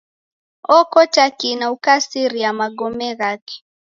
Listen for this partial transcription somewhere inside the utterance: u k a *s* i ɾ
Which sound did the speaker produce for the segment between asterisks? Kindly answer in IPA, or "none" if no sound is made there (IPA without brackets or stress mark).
s